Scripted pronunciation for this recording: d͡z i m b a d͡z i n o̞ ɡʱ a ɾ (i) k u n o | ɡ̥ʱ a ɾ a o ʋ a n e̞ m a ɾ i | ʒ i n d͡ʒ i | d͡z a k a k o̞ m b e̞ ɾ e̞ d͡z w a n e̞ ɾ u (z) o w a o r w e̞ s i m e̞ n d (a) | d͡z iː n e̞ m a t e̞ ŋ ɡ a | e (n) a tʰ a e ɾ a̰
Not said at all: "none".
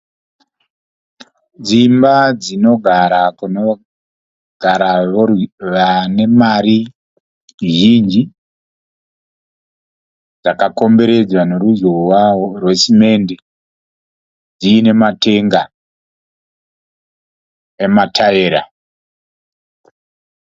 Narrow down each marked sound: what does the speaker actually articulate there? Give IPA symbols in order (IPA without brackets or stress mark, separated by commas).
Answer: a, z, e, m